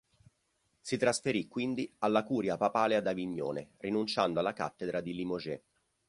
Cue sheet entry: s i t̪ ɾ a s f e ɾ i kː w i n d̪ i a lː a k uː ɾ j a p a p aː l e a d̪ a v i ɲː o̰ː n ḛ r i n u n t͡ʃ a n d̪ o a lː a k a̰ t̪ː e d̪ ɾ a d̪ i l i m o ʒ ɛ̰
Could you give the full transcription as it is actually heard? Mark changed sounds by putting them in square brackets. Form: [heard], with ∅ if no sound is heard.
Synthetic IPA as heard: s i t̪ ɾ a s f e ɾ i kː w i n d̪ i a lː a k uː ɾ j a p a p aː l e a d̪ a v i ɲː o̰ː n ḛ r i n u n t͡ʃ a n d̪ o a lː a k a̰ t̪ː e d̪ ɾ a d̪ i l i m o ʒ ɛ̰